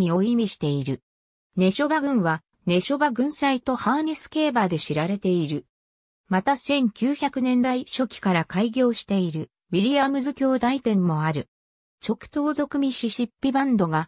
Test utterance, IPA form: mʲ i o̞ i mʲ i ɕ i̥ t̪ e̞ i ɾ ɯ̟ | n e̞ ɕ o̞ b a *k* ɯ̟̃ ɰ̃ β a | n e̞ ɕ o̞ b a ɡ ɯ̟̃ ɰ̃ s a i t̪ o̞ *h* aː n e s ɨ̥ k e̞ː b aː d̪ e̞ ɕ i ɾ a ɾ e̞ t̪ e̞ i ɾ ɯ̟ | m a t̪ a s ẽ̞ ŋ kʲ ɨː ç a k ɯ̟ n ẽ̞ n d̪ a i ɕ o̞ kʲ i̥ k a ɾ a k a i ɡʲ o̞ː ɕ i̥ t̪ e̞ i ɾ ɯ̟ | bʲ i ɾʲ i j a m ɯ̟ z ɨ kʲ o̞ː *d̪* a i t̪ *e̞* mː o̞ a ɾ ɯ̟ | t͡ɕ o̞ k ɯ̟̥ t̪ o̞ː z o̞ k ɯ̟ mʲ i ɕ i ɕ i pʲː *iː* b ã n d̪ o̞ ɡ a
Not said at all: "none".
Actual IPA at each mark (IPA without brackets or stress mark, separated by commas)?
ɡ, h, d̪, ẽ̞, i